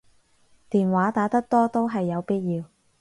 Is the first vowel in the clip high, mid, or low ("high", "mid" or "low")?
high